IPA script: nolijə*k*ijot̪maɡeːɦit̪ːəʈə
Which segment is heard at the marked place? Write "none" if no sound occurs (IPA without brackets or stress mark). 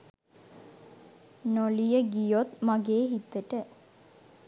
ɡ